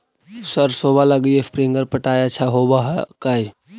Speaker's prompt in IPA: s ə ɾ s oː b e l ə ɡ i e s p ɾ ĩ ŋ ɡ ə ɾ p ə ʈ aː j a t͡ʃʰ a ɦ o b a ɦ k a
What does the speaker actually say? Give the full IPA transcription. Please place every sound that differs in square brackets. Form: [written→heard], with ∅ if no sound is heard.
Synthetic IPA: s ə ɾ s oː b [e→a] l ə ɡ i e s p ɾ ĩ ŋ ɡ ə ɾ p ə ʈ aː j a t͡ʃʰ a ɦ o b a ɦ k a

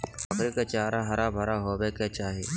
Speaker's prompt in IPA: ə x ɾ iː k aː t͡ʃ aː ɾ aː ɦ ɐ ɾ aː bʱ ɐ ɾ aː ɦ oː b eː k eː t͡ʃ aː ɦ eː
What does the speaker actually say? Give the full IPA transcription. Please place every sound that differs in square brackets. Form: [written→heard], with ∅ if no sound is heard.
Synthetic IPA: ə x ɾ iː k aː t͡ʃ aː ɾ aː ɦ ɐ ɾ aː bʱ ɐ ɾ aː ɦ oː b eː k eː t͡ʃ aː ɦ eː

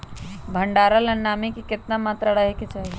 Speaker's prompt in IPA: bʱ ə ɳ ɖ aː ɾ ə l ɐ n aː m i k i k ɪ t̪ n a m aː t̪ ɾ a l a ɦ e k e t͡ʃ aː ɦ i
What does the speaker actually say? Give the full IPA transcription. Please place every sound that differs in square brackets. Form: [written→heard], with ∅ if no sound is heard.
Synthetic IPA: bʱ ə ɳ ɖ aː ɾ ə l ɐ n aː m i k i k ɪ t̪ n a m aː t̪ ɾ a [l→ɽ] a ɦ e k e t͡ʃ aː ɦ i

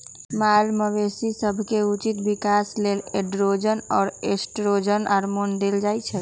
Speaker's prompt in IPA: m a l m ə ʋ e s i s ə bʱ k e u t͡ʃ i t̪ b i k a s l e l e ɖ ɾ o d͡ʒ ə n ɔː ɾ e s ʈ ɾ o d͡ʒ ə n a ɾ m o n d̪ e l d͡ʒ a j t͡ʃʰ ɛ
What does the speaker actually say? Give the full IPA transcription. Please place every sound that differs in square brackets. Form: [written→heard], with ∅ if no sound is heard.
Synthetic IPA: m a l m ə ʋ e s i s ə bʱ k e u t͡ʃ i t̪ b i k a s l e l e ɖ ɾ o d͡ʒ ə n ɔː ɾ e s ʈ ɾ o d͡ʒ ə n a ɾ m o n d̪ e l d͡ʒ a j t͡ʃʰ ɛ

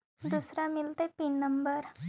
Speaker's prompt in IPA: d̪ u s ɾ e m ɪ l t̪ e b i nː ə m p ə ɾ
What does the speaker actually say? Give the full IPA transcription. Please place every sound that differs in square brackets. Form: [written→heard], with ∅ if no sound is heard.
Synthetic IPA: d̪ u s ɾ [e→a] m ɪ l t̪ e [b→p] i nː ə m [p→b] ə ɾ

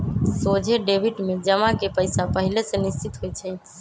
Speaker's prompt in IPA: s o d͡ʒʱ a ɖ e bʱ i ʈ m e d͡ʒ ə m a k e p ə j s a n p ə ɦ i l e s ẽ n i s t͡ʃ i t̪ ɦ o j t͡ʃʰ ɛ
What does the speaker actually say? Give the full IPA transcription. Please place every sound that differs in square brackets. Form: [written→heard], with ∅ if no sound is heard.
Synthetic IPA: s o d͡ʒʱ [a→e] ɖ e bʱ i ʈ m e d͡ʒ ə m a k e p ə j s a [n→∅] p ə ɦ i l e s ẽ n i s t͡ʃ i t̪ ɦ o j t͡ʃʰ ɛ

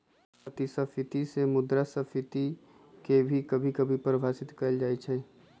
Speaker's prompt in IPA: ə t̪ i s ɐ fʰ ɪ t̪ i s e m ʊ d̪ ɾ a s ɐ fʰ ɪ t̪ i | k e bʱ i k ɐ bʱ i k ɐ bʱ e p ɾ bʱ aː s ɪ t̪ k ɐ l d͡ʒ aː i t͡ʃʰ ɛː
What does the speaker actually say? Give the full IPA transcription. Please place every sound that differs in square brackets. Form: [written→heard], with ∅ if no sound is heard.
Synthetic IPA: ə t̪ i s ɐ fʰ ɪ t̪ i s e m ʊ d̪ ɾ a s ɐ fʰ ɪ t̪ i | k e bʱ i k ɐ bʱ i k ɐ bʱ [e→i] p ɾ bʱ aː s ɪ t̪ k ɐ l d͡ʒ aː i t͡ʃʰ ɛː

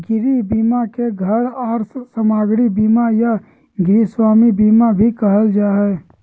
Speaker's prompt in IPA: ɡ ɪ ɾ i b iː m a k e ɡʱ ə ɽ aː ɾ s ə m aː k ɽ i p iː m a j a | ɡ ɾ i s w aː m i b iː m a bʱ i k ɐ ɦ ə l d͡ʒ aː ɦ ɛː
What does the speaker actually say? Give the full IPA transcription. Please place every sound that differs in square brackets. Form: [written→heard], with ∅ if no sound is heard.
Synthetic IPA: ɡ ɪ ɾ i b iː m a k e ɡʱ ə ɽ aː ɾ s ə m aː [k→ɡ] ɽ i [p→b] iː m a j a | ɡ ɾ i s w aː m i b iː m a bʱ i k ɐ ɦ ə l d͡ʒ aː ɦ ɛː

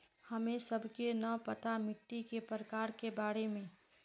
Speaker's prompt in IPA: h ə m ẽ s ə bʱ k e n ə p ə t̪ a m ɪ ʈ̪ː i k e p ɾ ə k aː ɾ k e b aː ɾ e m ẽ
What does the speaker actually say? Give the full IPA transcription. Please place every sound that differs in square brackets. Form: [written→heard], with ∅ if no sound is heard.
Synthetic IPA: h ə m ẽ s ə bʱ k e n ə p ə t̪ a m ɪ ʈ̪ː i k e p ɾ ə k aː ɾ k e b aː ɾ e m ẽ

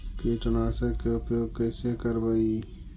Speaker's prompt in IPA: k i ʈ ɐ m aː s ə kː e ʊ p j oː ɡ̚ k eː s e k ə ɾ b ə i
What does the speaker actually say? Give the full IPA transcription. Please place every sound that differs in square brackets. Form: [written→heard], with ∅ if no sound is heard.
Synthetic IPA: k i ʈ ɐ [m→n] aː s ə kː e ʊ p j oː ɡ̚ k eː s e k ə ɾ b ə i

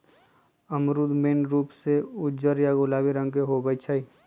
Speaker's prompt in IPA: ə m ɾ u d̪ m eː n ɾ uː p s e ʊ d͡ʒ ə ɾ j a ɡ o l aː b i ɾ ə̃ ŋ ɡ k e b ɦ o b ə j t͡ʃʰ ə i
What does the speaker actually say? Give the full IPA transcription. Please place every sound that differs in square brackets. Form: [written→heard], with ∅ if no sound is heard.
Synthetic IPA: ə m ɾ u d̪ m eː n ɾ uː p s e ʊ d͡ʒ ə ɾ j a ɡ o l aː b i ɾ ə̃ ŋ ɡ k e [b→∅] ɦ o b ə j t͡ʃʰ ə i

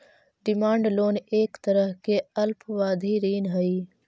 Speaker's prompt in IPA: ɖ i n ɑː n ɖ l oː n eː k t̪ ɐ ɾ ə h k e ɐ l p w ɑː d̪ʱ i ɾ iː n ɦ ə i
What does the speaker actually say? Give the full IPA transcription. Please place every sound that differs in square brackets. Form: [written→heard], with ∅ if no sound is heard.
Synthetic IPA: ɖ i [n→m] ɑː [n→ɳ] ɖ l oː n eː k t̪ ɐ ɾ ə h k e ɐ l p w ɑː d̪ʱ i ɾ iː n ɦ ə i

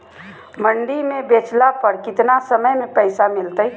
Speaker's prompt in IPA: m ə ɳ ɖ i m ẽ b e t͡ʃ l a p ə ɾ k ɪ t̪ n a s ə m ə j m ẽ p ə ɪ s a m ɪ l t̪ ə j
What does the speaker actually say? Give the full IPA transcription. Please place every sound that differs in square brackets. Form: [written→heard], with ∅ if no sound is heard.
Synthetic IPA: m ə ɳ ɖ i m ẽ b e t͡ʃ l a p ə ɾ k ɪ t̪ n a s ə m ə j m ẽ p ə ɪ s a m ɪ l t̪ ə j

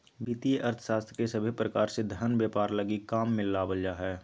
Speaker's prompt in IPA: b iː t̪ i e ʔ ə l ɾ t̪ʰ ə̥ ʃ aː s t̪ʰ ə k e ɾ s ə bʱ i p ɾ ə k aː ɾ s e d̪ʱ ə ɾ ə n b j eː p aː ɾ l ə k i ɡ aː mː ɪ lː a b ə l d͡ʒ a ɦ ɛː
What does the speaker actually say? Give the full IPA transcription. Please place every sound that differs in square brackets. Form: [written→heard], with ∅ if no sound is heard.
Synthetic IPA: b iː t̪ i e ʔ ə [l→∅] ɾ t̪ʰ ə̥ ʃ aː s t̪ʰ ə k e [ɾ→∅] s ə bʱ i p ɾ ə k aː ɾ s e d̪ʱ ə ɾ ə n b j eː p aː ɾ l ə [k→ɡ] i [ɡ→k] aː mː ɪ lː a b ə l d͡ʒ a ɦ ɛː

